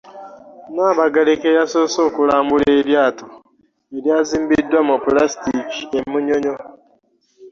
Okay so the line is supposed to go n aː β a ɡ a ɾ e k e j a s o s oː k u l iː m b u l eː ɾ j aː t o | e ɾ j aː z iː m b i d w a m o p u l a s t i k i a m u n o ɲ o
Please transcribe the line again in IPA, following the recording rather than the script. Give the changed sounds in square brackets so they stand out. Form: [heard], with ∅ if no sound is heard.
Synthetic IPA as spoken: n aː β a ɡ a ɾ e k e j a s o s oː k u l [aː] m b u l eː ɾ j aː t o | e ɾ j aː z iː m b i d w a m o p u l a s t i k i [e] m u [ɲ] o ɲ o